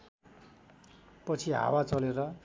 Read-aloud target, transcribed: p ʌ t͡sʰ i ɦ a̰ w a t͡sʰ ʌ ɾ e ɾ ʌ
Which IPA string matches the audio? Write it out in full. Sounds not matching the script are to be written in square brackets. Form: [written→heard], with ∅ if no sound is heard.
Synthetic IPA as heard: p ʌ t͡sʰ i ɦ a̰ w a [t͡sʰ→t͡s] ʌ [ɾ→l] e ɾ ʌ